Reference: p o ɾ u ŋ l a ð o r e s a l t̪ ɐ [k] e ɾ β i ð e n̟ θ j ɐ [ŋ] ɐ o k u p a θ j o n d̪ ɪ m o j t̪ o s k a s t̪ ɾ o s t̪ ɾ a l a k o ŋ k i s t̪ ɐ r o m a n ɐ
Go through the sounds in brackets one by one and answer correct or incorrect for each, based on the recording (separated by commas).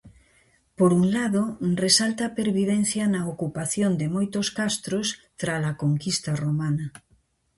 incorrect, incorrect